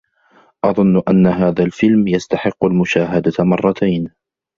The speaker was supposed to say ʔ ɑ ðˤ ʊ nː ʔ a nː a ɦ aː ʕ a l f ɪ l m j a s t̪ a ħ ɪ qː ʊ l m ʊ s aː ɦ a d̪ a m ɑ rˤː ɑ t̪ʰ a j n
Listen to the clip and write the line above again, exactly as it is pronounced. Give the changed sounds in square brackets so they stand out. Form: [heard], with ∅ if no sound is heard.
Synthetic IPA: ʔ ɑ ðˤ ʊ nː ʔ a nː a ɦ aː [ð] a l f ɪ l m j a s t̪ a ħ ɪ qː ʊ l m ʊ [ʃ] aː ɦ a d̪ a m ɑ rˤː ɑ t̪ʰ a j n